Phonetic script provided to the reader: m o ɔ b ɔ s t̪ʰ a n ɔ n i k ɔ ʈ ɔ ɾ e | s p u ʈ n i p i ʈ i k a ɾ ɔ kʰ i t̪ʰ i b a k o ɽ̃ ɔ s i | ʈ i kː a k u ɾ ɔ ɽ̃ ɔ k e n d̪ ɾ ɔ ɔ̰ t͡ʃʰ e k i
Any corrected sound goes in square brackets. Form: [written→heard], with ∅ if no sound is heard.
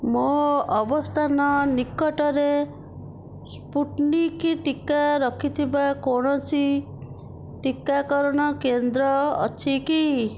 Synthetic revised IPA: m o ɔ b ɔ s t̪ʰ a n ɔ n i k ɔ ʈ ɔ ɾ e | s p u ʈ n i [p→k] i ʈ i k a ɾ ɔ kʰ i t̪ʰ i b a k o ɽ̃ ɔ s i | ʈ i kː a k [u→ɔ] ɾ ɔ ɽ̃ ɔ k e n d̪ ɾ ɔ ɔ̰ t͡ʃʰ [e→i] k i